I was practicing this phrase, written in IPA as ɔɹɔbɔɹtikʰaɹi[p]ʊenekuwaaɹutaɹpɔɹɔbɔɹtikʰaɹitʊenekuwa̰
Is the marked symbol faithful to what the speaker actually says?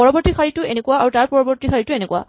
no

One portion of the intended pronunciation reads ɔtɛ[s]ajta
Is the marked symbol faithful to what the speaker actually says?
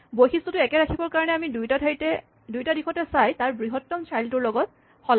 yes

